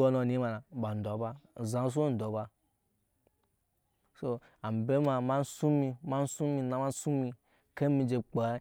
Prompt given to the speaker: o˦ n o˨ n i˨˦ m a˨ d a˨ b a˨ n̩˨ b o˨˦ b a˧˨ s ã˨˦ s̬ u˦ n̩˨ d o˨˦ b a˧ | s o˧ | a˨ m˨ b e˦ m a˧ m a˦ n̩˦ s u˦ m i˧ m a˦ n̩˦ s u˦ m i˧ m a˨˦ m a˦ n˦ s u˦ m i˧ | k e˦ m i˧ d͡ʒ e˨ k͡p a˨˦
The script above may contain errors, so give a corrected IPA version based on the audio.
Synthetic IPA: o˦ n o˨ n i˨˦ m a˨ n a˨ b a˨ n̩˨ d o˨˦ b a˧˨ z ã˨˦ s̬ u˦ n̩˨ d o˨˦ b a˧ | s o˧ | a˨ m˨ b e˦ m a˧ m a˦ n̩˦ s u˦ m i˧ m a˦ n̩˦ s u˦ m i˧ n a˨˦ m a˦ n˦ s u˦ m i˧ | k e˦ m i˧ d͡ʒ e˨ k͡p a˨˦